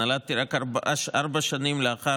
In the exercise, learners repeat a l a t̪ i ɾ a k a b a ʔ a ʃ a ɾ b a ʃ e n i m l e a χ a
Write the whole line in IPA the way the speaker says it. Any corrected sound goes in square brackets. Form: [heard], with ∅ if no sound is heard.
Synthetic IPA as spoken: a l a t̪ i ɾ a k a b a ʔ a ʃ a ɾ b a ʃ [a] n i m l e a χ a